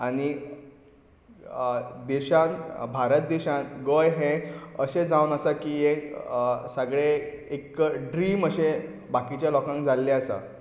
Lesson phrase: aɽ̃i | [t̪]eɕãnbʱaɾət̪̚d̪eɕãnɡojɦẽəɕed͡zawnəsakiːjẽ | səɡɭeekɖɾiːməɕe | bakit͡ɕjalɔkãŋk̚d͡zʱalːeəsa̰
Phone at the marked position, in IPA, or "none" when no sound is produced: d̪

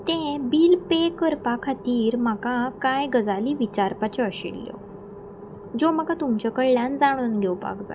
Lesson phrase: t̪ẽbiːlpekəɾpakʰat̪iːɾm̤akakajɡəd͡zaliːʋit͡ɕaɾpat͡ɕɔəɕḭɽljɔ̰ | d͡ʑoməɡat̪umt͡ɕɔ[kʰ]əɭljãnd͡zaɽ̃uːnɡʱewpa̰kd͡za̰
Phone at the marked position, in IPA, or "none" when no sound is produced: k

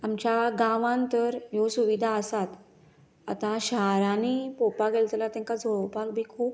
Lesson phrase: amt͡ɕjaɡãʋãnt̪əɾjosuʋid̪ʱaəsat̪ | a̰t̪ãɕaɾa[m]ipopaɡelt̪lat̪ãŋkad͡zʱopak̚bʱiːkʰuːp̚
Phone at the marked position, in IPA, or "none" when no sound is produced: n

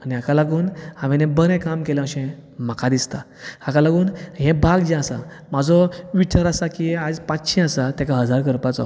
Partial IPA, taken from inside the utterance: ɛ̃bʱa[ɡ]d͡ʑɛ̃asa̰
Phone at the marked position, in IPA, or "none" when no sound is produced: ɡ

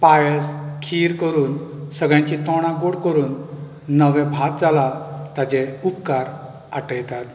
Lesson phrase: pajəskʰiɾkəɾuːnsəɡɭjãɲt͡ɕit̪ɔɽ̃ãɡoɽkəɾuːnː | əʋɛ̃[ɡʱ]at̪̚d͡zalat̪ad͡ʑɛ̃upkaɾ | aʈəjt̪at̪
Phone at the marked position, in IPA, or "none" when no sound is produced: bʱ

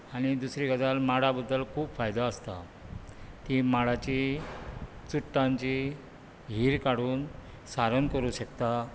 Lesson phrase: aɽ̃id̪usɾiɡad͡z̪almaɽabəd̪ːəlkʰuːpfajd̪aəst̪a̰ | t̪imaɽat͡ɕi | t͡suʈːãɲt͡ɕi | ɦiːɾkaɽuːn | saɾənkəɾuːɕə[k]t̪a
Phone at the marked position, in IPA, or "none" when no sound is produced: k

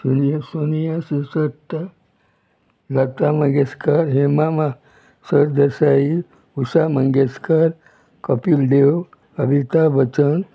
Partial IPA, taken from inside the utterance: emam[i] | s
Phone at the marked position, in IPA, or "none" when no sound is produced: a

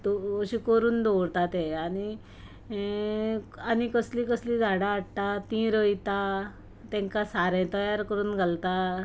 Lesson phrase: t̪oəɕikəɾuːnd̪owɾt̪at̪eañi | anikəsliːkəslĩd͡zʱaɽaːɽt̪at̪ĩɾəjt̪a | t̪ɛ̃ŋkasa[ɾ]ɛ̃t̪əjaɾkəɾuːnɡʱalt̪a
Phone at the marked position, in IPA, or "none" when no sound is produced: ɾ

